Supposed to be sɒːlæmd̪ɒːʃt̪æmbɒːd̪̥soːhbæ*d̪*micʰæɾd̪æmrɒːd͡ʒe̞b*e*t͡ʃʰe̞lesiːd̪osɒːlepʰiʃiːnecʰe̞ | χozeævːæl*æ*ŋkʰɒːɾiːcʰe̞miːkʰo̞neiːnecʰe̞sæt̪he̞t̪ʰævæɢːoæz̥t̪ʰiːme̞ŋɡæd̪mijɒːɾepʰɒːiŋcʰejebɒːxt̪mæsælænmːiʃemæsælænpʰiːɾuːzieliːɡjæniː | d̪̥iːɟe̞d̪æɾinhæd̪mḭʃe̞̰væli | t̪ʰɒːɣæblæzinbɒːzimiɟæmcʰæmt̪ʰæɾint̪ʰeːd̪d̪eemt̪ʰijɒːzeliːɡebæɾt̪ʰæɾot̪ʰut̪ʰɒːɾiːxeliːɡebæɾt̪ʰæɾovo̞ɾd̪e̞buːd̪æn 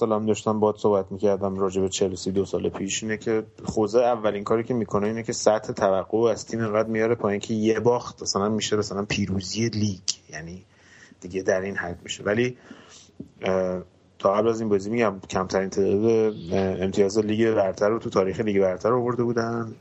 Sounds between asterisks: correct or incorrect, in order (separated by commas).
incorrect, correct, incorrect